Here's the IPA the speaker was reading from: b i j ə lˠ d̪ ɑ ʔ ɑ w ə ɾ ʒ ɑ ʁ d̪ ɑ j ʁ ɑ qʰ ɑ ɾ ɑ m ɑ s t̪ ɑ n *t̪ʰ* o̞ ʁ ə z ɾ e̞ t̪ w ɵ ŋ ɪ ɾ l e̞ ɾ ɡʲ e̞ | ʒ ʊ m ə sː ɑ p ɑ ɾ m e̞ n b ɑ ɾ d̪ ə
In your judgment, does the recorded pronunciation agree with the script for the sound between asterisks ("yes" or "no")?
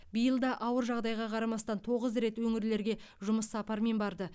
yes